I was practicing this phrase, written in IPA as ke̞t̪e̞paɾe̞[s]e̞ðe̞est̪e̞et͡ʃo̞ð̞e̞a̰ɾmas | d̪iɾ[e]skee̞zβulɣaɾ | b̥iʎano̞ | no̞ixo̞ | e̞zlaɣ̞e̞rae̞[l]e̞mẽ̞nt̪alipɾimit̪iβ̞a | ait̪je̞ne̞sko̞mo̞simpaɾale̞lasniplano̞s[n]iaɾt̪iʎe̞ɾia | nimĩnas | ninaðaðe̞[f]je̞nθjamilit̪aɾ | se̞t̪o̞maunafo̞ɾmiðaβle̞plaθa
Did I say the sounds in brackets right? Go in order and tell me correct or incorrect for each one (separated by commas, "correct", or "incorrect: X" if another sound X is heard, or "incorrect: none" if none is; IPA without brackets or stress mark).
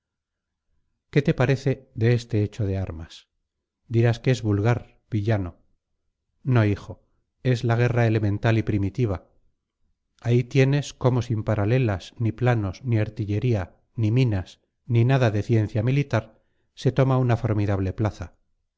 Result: incorrect: θ, incorrect: a, correct, correct, incorrect: θ